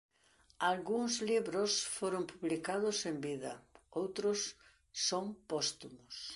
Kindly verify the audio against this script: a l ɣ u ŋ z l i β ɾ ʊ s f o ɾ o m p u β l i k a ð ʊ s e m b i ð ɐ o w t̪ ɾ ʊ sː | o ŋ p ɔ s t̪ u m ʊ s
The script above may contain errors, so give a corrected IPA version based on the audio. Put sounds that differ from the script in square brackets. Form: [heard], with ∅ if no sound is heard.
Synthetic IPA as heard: a l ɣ u ŋ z l i β ɾ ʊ s f o ɾ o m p u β l i k a ð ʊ s e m b i ð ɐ o w t̪ ɾ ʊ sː | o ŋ p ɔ s t̪ u m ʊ s